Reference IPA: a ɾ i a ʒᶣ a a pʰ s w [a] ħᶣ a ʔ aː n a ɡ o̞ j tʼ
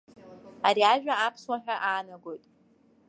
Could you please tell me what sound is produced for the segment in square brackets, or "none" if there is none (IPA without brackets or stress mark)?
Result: a